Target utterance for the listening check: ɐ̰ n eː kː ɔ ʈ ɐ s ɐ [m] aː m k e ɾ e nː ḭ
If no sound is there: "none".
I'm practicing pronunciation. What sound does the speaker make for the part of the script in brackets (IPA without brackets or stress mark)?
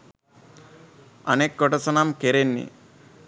n